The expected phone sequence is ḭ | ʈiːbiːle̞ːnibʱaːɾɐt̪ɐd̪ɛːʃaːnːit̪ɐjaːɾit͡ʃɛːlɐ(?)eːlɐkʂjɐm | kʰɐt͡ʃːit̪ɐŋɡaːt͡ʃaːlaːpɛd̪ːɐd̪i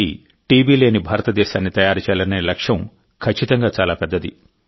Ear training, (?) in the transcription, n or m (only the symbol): n